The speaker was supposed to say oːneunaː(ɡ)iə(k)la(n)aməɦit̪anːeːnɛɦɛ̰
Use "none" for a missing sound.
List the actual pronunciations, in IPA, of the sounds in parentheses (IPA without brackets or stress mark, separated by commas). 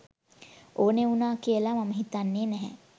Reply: k, none, m